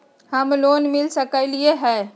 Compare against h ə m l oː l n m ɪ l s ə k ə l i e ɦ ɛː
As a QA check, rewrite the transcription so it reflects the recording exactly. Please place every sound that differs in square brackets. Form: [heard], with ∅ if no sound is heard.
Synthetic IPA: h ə m l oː [∅] n m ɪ l s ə k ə l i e ɦ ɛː